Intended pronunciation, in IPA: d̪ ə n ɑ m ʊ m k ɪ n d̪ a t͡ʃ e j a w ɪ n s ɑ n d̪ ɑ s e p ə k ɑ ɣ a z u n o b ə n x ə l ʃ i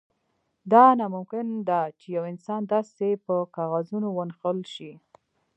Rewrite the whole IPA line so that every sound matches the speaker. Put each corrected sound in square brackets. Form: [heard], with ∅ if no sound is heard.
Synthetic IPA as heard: d̪ [ɑ] n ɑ m ʊ m k ɪ n d̪ a t͡ʃ e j a w ɪ n s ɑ n d̪ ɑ s e p ə k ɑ ɣ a z u n o [w] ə n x ə l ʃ i